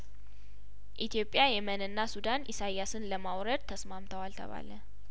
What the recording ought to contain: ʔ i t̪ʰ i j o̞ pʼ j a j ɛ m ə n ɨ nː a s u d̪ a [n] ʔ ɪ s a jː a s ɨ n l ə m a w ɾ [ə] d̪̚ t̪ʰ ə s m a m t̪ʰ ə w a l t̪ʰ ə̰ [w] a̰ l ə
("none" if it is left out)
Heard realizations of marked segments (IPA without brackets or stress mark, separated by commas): n, ə, β